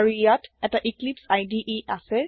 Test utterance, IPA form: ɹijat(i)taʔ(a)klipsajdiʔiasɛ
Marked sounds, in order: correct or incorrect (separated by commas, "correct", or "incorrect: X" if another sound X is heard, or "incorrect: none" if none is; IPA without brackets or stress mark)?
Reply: incorrect: ɛ, incorrect: i